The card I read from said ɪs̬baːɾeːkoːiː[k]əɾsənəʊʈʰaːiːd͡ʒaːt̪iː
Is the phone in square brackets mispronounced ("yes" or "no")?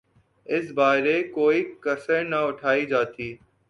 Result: no